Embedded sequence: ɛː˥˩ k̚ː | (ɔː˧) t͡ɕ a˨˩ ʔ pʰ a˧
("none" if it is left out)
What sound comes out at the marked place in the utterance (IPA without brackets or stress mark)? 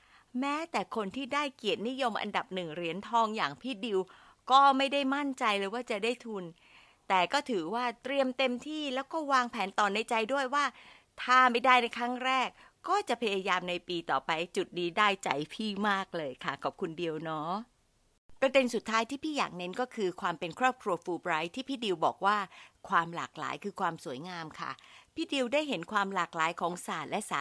ɔː˥˩